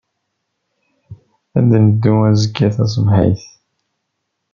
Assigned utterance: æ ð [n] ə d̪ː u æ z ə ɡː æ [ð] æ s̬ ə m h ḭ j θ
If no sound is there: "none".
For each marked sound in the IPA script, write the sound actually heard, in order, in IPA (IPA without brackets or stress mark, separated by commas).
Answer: n, θ